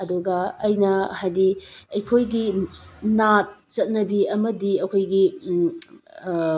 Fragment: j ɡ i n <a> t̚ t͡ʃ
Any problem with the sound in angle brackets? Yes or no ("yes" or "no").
no